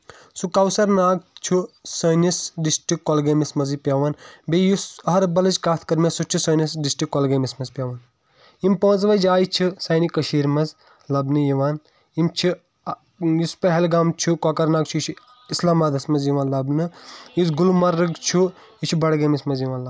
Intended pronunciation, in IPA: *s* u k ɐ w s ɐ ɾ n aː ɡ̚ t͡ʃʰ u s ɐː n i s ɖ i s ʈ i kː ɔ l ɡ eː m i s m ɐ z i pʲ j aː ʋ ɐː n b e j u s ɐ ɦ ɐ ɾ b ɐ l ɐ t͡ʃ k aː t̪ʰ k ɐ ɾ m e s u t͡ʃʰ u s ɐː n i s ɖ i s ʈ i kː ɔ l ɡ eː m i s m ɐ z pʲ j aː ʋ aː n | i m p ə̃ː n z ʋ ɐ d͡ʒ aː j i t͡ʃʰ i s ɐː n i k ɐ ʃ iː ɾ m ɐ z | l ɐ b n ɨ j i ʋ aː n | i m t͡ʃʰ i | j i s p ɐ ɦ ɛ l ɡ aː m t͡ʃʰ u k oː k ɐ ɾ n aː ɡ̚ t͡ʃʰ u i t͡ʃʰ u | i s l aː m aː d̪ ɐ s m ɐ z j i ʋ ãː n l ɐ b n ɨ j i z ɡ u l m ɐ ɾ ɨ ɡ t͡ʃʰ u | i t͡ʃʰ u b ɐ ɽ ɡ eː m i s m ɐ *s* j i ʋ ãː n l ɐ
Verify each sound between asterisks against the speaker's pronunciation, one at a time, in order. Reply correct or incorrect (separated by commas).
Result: correct, incorrect